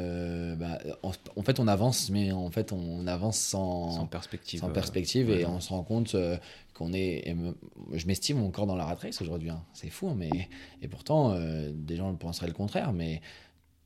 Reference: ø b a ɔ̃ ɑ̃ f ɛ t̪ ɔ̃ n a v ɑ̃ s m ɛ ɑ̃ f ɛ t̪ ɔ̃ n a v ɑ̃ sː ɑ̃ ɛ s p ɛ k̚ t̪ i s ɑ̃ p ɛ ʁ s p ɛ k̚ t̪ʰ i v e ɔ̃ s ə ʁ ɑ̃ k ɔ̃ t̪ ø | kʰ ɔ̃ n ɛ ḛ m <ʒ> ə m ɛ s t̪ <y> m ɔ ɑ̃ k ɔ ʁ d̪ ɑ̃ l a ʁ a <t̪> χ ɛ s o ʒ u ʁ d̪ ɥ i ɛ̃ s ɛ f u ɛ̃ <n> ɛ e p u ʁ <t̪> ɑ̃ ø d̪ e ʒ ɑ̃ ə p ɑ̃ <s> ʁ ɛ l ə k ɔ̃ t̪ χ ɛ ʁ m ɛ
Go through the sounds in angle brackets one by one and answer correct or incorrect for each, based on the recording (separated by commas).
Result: correct, incorrect, correct, incorrect, correct, correct